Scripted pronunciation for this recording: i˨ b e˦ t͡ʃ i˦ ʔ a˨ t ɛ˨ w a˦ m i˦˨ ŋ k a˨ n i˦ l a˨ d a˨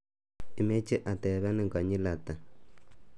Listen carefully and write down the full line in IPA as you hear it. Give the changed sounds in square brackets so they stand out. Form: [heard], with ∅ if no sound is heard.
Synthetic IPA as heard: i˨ [m] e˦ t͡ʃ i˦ ʔ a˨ t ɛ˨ [β] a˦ [n] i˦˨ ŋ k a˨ [ɲ] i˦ l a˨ [t] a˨